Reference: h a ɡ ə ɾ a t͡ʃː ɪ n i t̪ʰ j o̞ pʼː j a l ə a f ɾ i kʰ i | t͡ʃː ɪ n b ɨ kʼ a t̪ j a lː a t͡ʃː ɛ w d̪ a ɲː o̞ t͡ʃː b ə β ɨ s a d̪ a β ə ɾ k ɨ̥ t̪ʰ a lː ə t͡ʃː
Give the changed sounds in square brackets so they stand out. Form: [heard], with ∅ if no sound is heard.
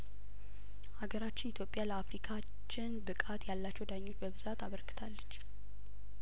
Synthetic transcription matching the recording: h a ɡ ə ɾ a t͡ʃː ɪ n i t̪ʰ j o̞ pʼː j a l ə a f ɾ i kʰ [a] | t͡ʃː ɪ n b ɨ kʼ a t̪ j a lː a t͡ʃː ɛ w d̪ a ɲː o̞ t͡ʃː b ə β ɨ [z] a [t̪] a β ə ɾ k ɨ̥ t̪ʰ a lː ə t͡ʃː